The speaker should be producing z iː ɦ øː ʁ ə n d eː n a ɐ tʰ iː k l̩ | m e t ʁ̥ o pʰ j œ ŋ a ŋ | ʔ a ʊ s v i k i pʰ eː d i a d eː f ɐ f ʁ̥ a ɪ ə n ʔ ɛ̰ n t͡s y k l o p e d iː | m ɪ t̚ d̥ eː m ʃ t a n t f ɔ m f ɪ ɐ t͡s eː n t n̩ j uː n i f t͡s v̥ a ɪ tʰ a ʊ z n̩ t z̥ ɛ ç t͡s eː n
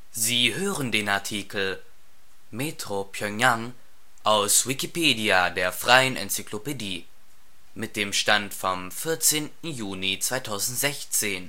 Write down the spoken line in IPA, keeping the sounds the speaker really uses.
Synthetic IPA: z iː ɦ øː ʁ ə n d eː n a ɐ tʰ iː k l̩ | m e t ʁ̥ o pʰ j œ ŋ a ŋ | ʔ a ʊ s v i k i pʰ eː d i a d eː ɐ f ʁ̥ a ɪ ə n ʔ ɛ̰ n t͡s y k l o p e d iː | m ɪ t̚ d̥ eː m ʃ t a n t f ɔ m f ɪ ɐ t͡s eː n t n̩ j uː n i t͡s v̥ a ɪ tʰ a ʊ z n̩ t z̥ ɛ ç t͡s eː n